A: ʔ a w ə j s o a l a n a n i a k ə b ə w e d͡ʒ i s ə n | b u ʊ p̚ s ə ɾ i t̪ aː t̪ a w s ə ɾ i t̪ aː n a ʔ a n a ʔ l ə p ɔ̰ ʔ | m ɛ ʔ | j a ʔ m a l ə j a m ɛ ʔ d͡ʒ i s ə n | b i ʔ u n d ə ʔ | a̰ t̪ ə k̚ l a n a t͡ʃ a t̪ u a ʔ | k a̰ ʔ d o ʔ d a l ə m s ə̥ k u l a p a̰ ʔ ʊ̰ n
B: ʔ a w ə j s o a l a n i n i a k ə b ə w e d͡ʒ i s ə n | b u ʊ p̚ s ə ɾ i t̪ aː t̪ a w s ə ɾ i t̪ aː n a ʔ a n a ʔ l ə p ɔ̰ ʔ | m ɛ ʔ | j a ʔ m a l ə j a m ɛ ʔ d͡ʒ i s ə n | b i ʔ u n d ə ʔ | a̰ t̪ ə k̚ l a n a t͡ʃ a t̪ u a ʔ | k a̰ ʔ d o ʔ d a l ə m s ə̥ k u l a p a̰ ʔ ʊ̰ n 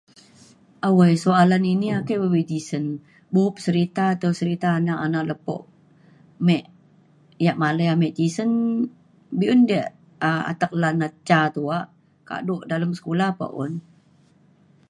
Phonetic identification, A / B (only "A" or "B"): B